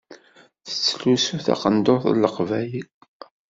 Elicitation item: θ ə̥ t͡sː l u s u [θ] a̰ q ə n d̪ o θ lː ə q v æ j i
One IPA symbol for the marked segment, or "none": θ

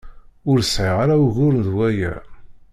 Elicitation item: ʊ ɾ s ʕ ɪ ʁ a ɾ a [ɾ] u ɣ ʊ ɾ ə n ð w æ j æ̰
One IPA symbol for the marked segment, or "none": none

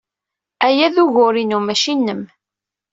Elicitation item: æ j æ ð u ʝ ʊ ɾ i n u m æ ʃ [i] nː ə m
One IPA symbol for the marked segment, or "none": i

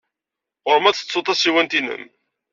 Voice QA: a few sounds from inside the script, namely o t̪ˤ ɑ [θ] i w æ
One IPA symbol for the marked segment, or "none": s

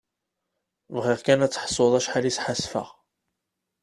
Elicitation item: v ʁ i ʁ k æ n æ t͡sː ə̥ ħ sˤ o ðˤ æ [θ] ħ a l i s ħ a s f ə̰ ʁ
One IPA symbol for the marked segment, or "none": ʃ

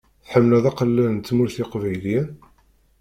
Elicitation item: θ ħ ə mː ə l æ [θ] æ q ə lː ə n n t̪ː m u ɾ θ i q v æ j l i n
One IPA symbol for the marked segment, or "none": ð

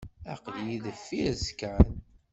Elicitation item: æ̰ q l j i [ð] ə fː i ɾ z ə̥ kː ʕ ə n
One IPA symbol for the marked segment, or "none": ð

